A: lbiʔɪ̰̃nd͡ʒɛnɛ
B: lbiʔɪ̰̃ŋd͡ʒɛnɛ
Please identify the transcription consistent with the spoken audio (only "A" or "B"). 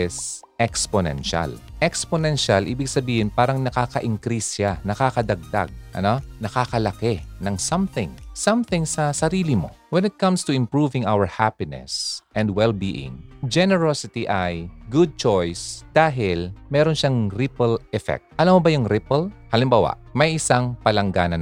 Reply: B